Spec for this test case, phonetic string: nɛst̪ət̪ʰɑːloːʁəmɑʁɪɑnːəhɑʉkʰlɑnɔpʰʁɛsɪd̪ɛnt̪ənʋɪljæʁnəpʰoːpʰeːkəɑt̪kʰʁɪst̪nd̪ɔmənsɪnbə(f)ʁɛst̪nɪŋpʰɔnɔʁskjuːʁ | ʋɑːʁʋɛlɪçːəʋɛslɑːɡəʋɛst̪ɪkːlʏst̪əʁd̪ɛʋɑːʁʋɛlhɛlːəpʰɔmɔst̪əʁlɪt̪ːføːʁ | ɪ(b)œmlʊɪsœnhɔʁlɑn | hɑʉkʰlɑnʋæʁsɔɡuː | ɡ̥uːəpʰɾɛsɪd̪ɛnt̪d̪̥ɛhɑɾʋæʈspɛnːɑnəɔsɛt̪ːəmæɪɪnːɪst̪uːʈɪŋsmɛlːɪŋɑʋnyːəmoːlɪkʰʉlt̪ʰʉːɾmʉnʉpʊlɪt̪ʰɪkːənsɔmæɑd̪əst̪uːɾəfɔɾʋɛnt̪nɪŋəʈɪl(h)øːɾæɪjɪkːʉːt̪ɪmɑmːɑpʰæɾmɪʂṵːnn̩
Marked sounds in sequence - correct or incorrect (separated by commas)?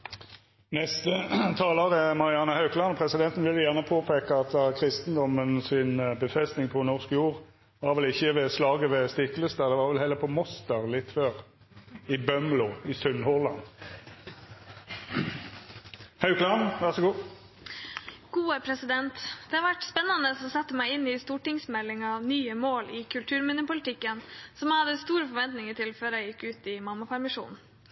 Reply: correct, correct, incorrect